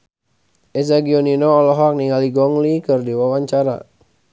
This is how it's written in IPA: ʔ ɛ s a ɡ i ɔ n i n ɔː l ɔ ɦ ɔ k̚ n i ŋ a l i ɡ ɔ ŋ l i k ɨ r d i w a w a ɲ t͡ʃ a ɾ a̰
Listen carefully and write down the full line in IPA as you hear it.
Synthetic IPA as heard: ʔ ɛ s a ɡ i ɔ n i n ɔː l ɔ ɦ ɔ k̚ n i ŋ a l i ɡ ɔ ŋ l i k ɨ r d i w a w a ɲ t͡ʃ a ɾ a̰